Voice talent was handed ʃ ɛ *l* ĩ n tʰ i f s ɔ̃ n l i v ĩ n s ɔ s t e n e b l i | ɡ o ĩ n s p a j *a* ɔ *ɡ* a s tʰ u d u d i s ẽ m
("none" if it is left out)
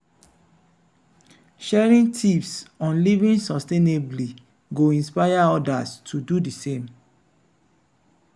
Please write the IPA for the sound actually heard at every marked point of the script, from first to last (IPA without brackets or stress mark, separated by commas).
ɹ, a, d